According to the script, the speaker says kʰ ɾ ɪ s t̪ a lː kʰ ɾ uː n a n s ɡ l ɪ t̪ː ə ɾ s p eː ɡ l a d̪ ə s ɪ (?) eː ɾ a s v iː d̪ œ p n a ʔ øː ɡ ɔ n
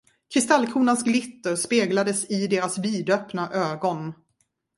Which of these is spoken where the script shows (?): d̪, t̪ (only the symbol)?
d̪